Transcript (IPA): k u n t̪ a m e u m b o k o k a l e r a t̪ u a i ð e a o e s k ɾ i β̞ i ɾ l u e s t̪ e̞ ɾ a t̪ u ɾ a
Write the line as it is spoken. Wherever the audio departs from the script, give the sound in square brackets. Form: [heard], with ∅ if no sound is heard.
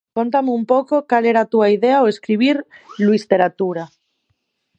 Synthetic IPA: k [o] n t̪ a m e u m [p] o k o k a l e [ɾ] a t̪ u a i ð e a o e s k ɾ i β̞ i ɾ l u [i] s t̪ e̞ ɾ a t̪ u ɾ a